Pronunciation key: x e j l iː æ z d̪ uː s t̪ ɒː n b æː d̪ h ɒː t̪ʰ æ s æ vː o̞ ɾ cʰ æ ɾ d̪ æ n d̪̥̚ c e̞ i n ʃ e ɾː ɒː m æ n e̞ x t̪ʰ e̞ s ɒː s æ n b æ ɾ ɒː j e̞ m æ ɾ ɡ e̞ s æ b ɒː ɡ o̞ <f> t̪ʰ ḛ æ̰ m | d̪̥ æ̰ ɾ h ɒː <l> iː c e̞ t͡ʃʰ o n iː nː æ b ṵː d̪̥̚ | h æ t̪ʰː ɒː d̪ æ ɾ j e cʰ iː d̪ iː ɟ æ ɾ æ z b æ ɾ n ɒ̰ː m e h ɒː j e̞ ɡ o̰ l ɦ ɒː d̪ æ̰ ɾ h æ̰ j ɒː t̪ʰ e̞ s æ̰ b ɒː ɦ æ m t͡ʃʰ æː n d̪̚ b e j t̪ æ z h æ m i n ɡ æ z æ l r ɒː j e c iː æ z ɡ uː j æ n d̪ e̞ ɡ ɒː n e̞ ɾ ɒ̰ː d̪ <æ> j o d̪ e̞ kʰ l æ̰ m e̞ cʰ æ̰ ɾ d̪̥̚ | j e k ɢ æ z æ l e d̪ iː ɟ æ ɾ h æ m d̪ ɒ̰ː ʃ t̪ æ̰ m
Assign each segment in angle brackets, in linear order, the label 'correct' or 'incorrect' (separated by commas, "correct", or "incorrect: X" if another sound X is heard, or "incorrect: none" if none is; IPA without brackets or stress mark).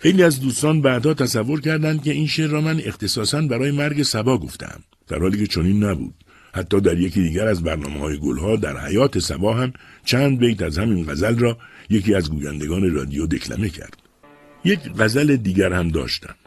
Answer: correct, correct, incorrect: i